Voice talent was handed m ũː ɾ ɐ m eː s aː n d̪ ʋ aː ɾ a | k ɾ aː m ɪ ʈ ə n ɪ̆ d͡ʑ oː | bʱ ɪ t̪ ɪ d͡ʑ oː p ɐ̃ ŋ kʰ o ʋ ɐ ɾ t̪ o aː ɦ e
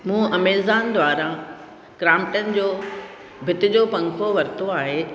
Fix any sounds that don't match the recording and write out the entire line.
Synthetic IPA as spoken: m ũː ɐ m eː z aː n d̪ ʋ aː ɾ a | k ɾ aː m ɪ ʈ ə n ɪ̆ d͡ʑ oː | bʱ ɪ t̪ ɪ d͡ʑ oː p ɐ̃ ŋ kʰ o ʋ ɐ ɾ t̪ o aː ɦ e